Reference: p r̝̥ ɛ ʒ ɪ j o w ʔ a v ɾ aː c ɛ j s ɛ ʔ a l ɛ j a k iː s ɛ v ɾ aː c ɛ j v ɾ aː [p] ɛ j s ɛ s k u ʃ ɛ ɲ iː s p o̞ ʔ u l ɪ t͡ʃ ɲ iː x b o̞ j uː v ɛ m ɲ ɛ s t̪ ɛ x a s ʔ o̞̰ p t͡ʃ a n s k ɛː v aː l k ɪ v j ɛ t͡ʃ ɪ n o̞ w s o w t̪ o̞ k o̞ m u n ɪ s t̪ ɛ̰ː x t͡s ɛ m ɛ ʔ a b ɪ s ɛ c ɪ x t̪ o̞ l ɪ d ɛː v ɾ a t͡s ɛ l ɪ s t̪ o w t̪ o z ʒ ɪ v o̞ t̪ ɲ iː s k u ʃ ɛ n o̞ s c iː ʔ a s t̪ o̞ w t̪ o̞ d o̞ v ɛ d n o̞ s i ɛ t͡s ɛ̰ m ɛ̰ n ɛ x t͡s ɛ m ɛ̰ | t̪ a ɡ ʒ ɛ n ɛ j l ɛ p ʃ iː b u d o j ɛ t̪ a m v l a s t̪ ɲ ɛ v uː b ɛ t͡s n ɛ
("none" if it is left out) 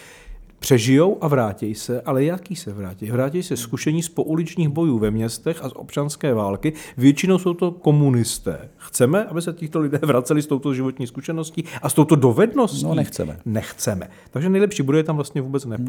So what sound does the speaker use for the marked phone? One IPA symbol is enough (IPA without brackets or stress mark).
c